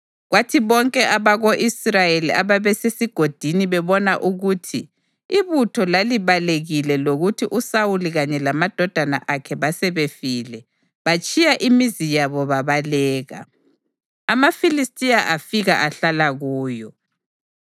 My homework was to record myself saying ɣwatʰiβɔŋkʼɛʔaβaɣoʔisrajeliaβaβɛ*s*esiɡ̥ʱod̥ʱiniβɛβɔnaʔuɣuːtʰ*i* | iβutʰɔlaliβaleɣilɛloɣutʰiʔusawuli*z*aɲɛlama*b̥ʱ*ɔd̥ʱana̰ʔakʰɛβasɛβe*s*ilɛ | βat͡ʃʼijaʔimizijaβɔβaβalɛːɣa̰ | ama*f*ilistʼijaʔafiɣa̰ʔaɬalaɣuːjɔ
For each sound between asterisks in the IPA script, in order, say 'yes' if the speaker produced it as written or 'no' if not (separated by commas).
yes, yes, no, no, no, yes